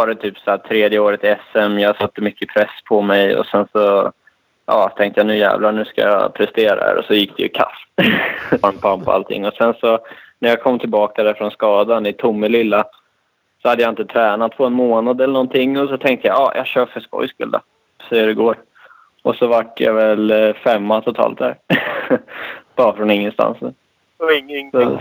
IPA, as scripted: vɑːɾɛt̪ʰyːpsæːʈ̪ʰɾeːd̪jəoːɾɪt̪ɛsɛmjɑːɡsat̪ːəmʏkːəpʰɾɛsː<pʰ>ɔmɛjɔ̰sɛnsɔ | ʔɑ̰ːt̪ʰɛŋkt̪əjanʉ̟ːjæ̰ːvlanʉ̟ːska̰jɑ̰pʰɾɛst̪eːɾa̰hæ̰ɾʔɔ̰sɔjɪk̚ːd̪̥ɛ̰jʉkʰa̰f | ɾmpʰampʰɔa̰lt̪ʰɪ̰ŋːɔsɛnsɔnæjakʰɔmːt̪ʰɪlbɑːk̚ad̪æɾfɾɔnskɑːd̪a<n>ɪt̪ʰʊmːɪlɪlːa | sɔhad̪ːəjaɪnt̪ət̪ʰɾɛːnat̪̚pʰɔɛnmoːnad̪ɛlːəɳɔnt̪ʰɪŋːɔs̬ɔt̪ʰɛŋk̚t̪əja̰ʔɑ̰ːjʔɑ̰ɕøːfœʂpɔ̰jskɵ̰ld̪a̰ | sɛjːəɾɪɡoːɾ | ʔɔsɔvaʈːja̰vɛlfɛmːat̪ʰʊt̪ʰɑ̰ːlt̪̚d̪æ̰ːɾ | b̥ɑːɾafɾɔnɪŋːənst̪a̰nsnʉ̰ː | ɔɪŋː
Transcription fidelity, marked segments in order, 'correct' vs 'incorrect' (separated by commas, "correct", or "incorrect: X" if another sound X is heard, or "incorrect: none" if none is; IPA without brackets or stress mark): correct, correct